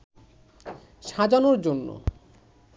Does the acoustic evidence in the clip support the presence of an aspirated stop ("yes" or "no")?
no